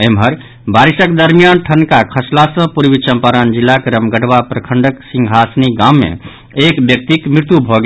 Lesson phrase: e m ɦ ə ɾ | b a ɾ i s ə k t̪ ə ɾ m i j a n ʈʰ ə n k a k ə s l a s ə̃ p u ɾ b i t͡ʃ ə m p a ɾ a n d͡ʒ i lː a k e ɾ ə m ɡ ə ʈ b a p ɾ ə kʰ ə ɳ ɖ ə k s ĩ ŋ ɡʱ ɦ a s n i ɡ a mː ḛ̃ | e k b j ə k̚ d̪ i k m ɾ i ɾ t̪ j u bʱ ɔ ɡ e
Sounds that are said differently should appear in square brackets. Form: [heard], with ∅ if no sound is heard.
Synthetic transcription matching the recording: e m ɦ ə ɾ | b a ɾ i s ə k [d̪] ə ɾ m i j a n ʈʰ ə n k a [kʰ] ə s l a s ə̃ p u ɾ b i t͡ʃ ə m p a ɾ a n d͡ʒ i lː a k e ɾ ə m ɡ ə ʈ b a p ɾ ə kʰ ə ɳ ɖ ə k s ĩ ŋ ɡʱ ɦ a s n i ɡ a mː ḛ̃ | e k b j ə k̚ [t̪] i k m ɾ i ɾ t̪ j u bʱ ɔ ɡ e

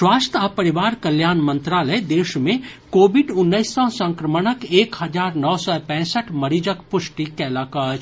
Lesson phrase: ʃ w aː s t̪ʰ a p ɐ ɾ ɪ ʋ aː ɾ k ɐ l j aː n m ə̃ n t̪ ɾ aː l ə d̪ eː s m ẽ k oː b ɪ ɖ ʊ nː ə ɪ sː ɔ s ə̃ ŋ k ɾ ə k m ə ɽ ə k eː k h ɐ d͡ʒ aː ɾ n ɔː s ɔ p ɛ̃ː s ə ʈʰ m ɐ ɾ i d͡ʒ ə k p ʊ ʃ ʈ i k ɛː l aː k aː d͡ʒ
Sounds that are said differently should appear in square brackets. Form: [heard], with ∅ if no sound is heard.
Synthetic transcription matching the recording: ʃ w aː s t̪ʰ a p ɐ ɾ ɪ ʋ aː ɾ k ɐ l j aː n m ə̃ n t̪ ɾ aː l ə d̪ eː [ʃ] m ẽ k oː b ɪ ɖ ʊ nː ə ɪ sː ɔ s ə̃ ŋ k ɾ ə [∅] m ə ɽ ə k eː k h ɐ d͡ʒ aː ɾ n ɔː s ɔ p ɛ̃ː s ə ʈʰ m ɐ ɾ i d͡ʒ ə k p ʊ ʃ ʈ i k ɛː l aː k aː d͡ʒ

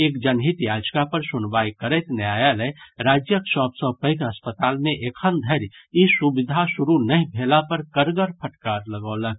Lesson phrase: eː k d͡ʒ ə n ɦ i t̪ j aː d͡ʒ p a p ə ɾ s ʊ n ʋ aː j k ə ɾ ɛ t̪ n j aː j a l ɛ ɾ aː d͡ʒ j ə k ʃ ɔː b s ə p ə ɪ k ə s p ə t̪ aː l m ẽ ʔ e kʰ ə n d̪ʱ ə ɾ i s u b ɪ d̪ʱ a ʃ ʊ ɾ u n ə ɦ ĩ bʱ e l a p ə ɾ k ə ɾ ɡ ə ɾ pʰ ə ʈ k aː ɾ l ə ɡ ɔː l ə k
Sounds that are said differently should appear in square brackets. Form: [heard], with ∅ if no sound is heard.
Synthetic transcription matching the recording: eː k d͡ʒ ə n ɦ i t̪ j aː d͡ʒ [k] a p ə ɾ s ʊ n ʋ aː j k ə ɾ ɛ t̪ n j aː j a l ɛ ɾ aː d͡ʒ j ə k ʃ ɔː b s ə p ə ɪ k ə s p ə t̪ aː l m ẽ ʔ e kʰ ə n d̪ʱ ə ɾ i s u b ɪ d̪ʱ a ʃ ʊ ɾ u n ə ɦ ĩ bʱ e l a p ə ɾ k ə ɾ ɡ ə ɾ pʰ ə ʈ k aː ɾ l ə ɡ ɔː l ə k

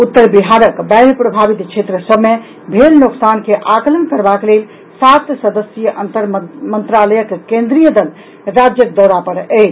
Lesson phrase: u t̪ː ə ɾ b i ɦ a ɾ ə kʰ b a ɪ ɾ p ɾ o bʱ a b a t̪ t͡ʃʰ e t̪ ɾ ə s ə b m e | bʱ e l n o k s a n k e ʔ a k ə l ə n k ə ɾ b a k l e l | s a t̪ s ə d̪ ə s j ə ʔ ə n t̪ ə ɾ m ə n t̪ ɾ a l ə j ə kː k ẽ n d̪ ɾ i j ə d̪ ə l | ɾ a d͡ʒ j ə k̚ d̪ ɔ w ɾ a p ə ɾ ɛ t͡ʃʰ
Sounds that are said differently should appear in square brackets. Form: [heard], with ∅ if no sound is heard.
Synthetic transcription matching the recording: u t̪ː ə ɾ b i ɦ a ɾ ə [k] b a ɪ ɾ p ɾ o bʱ a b [i] t̪ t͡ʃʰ e t̪ ɾ ə s ə b m e | bʱ e l n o k s a n k e ʔ a k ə l ə n k ə ɾ b a k l e l | s a t̪ s ə d̪ ə s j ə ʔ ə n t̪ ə ɾ m ə n t̪ ɾ a l ə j ə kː k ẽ n d̪ ɾ i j ə d̪ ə l | ɾ a d͡ʒ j ə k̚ d̪ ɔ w ɾ a p ə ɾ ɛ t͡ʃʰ

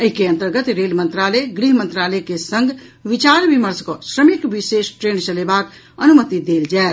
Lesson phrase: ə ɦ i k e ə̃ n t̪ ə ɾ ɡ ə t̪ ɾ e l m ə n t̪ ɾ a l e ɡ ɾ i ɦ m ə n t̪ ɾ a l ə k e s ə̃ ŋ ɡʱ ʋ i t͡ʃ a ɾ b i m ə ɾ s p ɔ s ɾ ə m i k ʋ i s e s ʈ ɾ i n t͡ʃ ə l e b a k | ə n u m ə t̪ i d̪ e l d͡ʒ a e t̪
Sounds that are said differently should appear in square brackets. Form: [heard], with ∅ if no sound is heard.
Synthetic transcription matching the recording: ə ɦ i k e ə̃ n t̪ ə ɾ ɡ ə t̪ ɾ e l m ə n t̪ ɾ a l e ɡ ɾ i ɦ m ə n t̪ ɾ a l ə k e s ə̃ ŋ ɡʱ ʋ i t͡ʃ a ɾ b i m ə ɾ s [k] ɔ s ɾ ə m i k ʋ i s e s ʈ ɾ [e] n t͡ʃ ə l e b a k | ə n u m ə t̪ i d̪ e l d͡ʒ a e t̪

